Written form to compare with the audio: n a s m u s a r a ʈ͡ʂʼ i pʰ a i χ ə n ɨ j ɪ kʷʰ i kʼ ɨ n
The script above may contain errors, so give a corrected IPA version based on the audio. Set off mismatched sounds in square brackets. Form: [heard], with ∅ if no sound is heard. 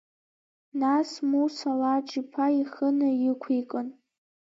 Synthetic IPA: n a s m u s a [l] a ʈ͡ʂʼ i pʰ a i χ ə n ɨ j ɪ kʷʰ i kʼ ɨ n